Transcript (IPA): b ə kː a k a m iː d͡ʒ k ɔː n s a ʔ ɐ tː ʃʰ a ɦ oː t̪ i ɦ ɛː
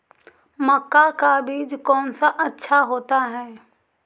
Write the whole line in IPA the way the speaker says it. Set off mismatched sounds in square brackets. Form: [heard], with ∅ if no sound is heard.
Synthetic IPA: [m] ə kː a k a [b] iː d͡ʒ k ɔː n s a ʔ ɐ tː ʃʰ a ɦ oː t̪ [a] ɦ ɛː